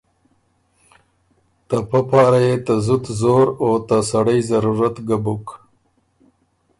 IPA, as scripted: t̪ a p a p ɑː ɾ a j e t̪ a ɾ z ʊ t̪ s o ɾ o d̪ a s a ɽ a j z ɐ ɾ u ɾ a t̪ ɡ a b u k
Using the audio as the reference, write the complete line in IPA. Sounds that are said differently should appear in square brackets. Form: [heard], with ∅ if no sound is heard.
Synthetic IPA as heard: t̪ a p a p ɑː ɾ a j e t̪ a [∅] z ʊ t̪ [z] o ɾ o [t̪] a s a ɽ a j z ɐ ɾ u ɾ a t̪ ɡ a b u k